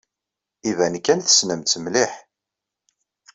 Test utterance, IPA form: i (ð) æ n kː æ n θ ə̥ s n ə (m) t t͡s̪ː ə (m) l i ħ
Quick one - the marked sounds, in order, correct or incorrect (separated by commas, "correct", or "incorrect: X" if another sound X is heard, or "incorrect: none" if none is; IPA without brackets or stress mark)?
incorrect: v, correct, correct